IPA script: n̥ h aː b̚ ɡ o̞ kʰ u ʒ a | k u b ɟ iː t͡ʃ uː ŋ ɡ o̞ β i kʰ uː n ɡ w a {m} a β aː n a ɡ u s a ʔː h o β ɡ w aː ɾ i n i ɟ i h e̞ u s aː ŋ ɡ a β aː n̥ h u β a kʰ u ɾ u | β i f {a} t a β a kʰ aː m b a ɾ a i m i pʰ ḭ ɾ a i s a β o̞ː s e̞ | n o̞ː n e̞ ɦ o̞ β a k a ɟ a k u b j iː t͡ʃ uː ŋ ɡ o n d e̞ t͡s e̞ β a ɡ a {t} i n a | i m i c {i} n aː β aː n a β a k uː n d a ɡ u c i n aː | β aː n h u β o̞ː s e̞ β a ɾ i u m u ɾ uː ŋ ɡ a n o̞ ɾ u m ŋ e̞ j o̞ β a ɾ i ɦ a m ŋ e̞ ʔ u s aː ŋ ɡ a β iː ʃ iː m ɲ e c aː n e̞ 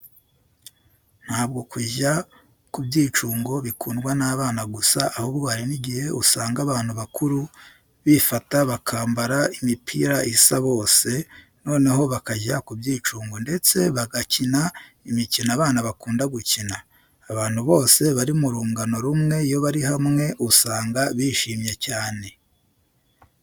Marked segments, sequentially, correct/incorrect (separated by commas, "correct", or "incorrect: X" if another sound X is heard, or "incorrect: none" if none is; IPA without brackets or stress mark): incorrect: n, correct, incorrect: c, correct